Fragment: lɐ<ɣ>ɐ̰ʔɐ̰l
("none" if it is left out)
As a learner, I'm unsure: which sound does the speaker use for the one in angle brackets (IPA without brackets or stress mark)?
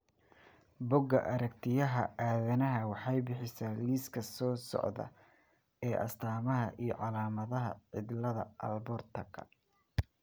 ð